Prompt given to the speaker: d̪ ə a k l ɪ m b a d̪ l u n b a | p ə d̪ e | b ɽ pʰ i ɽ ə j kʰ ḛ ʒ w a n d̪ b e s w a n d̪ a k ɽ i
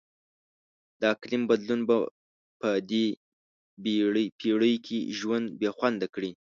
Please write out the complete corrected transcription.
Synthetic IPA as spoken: d̪ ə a k l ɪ m b a d̪ l u n b a | p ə d̪ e | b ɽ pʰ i ɽ ə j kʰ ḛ ʒ w a n d̪ b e x w a n d̪ a k ɽ i